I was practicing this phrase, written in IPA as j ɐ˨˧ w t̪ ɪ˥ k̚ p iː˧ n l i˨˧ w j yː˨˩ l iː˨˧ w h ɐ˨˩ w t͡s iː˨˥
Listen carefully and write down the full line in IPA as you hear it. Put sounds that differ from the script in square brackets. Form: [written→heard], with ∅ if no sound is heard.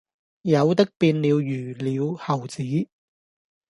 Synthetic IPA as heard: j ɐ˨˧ w t̪ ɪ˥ k̚ p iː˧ n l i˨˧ w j yː˨˩ l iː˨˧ w h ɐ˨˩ w t͡s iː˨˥